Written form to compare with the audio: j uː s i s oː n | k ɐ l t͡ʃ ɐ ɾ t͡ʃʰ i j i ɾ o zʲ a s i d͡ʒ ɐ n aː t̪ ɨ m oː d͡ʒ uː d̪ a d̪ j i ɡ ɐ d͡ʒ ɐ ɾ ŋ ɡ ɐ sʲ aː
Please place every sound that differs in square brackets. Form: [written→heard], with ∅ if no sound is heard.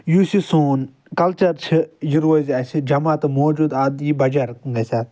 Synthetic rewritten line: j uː s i s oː n | k ɐ l t͡ʃ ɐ ɾ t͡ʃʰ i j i ɾ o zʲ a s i d͡ʒ ɐ [n→m] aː t̪ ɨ m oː d͡ʒ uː d̪ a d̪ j i [ɡ→b] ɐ d͡ʒ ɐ ɾ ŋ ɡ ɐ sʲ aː